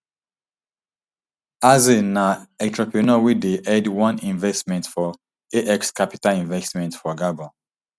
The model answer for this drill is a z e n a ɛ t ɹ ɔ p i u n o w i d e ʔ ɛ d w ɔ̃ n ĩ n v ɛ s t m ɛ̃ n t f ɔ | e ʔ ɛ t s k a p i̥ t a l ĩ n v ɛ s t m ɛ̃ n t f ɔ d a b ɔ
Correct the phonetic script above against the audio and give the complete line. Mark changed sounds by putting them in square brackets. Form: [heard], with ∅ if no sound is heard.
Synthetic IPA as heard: a z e n a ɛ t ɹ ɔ p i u n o w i d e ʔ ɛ d w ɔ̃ n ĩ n v ɛ s t m ɛ̃ n t f ɔ | e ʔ ɛ [k] s k a p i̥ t a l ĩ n v ɛ s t m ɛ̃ n t f ɔ [ɡ] a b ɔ